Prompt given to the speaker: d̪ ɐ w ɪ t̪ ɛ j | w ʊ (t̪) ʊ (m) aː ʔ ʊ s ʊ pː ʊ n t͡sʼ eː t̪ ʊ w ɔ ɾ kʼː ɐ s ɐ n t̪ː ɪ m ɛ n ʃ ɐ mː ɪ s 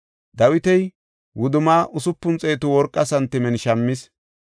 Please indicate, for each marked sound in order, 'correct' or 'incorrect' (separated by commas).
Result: incorrect, correct